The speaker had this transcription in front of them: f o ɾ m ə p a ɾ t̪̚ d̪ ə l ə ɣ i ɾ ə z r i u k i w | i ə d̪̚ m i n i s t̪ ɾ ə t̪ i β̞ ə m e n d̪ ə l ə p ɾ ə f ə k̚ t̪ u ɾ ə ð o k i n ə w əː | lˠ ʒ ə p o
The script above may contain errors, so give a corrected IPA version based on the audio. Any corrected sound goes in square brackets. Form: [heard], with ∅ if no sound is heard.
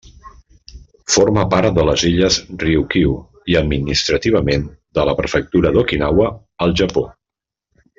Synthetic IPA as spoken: f o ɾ m ə p a ɾ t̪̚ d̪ ə l ə [z] i [ʎ] ə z r i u k i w | i ə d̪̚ m i n i s t̪ ɾ ə t̪ i β̞ ə m e n d̪ ə l ə p ɾ ə f ə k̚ t̪ u ɾ ə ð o k i n [a] w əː | lˠ ʒ ə p o